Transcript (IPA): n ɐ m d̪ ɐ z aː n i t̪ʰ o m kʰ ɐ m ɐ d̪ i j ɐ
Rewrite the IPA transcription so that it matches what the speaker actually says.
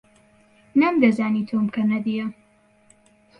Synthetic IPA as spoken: n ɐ m d̪ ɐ z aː n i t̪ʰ o m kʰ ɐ n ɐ d̪ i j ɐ